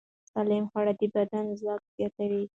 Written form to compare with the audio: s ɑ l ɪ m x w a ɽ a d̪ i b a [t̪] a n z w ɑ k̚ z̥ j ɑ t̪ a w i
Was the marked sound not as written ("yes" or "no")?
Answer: yes